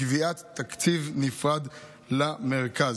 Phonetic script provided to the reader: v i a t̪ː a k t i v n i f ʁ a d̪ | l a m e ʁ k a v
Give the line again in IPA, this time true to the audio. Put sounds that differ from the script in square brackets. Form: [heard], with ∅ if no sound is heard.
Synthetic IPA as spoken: v i a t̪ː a k [t͡s] i v n i f ʁ a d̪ | l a m e ʁ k a [z]